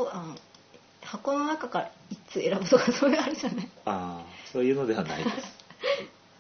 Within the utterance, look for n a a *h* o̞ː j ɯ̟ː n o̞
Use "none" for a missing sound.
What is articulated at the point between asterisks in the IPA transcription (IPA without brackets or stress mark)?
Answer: s